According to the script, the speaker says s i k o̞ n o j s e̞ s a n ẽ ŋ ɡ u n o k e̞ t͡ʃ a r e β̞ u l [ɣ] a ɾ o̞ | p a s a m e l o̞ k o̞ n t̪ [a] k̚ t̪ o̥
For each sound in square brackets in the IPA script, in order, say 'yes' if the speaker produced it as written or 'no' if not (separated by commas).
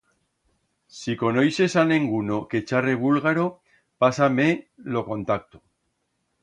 yes, yes